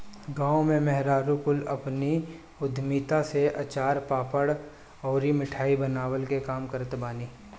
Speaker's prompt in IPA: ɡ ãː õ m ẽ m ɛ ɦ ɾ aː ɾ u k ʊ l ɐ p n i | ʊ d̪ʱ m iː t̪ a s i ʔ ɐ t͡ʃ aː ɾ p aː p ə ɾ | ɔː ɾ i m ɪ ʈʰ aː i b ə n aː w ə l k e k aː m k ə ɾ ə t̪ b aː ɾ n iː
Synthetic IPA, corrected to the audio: ɡ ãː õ m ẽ m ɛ ɦ ɾ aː ɾ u k ʊ l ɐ p n i | ʊ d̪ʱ m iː t̪ a s e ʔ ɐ t͡ʃ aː ɾ p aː p ə ɽ | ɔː ɾ i m ɪ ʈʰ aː i b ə n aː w ə l k e k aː m k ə ɾ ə t̪ b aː n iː